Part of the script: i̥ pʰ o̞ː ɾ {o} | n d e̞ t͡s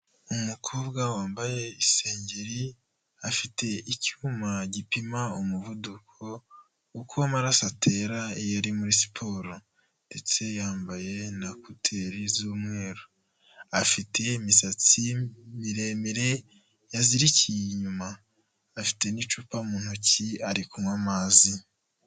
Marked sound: correct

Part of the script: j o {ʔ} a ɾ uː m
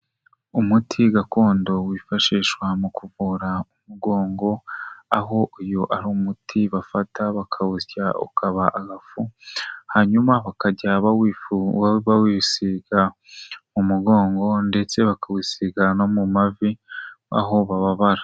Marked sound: correct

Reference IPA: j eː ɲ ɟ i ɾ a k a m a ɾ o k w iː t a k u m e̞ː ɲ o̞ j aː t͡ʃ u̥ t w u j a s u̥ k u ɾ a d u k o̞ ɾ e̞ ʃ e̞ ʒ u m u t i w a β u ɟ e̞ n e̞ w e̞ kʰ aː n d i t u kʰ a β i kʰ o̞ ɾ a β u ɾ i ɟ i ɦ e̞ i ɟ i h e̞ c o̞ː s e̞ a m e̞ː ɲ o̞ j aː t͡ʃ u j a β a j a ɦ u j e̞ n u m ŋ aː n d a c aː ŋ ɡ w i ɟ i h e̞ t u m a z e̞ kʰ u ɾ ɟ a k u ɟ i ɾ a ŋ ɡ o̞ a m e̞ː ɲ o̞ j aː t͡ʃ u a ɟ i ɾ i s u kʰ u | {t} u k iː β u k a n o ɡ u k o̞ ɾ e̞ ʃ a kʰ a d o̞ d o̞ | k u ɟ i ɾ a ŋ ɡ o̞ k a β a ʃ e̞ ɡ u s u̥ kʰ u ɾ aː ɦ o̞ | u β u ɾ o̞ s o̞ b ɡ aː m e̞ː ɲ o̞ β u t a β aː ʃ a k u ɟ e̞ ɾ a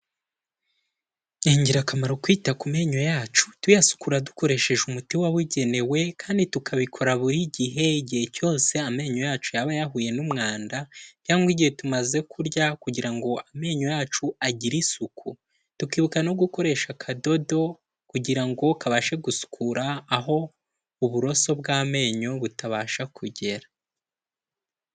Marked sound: correct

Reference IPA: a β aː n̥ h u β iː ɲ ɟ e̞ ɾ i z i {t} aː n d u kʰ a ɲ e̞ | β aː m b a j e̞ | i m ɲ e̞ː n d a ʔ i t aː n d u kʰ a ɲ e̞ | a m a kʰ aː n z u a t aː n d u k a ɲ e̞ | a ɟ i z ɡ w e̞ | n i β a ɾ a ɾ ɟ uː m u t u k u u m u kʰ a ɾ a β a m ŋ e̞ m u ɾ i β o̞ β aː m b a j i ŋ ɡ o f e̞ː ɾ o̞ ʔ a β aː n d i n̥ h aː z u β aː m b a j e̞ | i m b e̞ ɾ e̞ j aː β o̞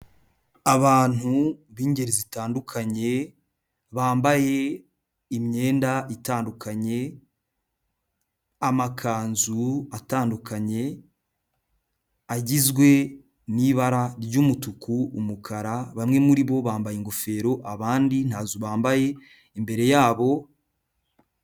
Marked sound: correct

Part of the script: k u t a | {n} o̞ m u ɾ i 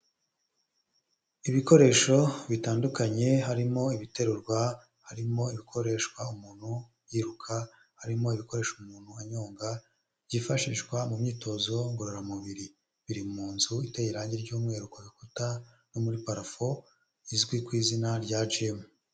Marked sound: correct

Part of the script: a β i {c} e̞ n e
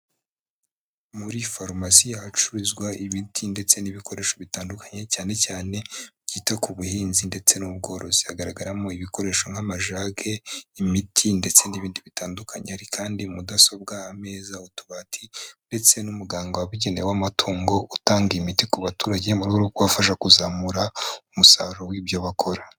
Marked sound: incorrect: ɟ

